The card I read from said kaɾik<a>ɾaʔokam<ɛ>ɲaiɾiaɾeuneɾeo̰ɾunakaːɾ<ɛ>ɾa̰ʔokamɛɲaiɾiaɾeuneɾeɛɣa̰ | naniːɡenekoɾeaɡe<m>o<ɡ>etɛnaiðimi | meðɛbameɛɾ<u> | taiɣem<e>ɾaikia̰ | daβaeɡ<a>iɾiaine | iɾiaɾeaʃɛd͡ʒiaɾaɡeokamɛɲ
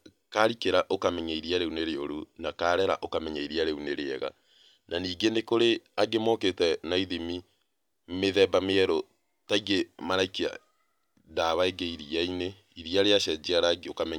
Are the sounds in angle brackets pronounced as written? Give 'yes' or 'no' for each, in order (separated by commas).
no, yes, yes, yes, no, no, no, no